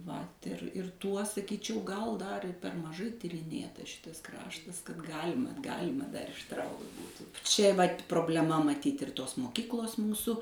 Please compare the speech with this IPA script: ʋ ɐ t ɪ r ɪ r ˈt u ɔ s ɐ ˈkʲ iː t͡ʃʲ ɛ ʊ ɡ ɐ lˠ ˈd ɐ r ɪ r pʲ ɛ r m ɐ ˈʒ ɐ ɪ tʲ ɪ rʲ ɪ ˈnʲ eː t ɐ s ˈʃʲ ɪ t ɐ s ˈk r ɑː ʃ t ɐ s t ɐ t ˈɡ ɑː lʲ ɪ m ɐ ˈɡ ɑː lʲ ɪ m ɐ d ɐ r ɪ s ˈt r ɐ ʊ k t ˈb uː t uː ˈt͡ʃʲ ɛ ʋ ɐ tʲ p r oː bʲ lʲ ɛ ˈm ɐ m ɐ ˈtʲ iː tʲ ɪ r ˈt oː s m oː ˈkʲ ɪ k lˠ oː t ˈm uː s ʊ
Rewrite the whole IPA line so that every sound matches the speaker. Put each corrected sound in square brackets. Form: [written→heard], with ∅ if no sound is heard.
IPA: ʋ ɐ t ɪ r ɪ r ˈt u ɔ s ɐ ˈkʲ iː t͡ʃʲ ɛ ʊ ɡ ɐ lˠ ˈd ɐ r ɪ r pʲ ɛ r m ɐ ˈʒ ɐ ɪ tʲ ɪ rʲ ɪ ˈnʲ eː t ɐ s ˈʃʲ ɪ t ɐ s ˈk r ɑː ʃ t ɐ s [t→k] ɐ t ˈɡ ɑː lʲ ɪ m ɐ ˈɡ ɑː lʲ ɪ m ɐ d ɐ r ɪ [s→ʃ] ˈt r ɐ ʊ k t ˈb uː t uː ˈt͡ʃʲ ɛ ʋ ɐ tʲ p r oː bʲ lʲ ɛ ˈm ɐ m ɐ ˈtʲ iː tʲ ɪ r ˈt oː s m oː ˈkʲ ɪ k lˠ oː [t→s] ˈm uː s ʊ